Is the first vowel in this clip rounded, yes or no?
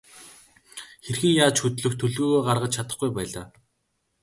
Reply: no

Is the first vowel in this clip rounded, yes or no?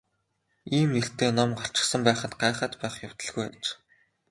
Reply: no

